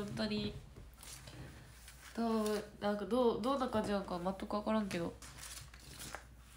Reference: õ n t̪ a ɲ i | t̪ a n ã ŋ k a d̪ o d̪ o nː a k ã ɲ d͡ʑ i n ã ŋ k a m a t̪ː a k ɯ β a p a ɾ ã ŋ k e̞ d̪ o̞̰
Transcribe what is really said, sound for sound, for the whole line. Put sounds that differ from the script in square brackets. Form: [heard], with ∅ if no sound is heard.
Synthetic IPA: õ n t̪ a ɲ i | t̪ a n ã ŋ k a d̪ o d̪ o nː a k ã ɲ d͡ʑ i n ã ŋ k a m a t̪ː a k ɯ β a [k] a ɾ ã ŋ k e̞ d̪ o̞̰